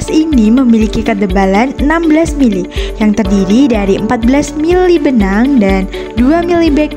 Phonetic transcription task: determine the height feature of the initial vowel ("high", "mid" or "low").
high